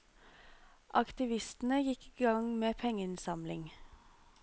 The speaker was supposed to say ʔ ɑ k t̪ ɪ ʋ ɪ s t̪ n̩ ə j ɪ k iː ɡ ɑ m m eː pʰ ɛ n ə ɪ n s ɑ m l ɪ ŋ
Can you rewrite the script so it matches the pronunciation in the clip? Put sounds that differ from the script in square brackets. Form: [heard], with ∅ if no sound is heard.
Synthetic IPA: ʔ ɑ k t̪ ɪ ʋ ɪ s t̪ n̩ ə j ɪ k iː ɡ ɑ [ŋ] m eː pʰ ɛ [ŋ] ə ɪ n s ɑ m l ɪ ŋ